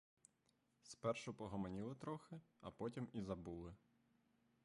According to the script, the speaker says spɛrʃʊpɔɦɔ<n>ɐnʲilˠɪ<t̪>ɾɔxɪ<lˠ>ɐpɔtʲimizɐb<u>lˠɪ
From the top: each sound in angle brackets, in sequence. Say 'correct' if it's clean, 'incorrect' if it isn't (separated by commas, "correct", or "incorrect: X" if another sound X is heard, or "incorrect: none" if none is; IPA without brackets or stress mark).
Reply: incorrect: m, correct, incorrect: none, correct